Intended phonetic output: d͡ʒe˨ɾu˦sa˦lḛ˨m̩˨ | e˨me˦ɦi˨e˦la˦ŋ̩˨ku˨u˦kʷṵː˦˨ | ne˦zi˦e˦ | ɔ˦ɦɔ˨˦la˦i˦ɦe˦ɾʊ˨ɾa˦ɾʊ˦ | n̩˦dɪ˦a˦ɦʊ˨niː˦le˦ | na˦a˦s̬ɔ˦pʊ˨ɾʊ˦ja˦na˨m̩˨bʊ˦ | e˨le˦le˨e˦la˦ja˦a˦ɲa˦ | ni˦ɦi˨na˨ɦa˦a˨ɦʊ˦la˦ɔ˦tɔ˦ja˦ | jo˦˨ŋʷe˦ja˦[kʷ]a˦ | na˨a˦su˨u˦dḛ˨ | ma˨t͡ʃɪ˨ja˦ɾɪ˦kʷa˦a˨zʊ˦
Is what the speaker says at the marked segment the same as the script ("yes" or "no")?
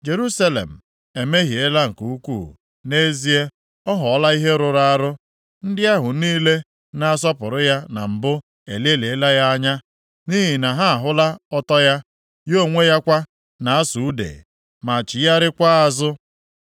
yes